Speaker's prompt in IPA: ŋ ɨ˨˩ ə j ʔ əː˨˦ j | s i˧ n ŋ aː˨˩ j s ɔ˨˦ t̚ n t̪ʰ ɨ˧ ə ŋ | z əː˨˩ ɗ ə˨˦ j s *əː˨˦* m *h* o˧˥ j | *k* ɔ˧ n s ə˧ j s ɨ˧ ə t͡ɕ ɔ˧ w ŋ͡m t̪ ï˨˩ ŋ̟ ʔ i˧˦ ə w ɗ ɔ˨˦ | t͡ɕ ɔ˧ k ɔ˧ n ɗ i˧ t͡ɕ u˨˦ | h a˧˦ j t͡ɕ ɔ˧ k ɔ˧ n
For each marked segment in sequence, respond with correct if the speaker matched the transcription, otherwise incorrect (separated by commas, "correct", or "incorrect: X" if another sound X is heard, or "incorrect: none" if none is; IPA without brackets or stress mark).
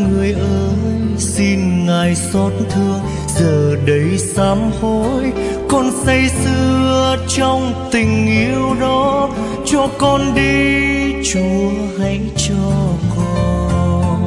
incorrect: aː˨˦, correct, correct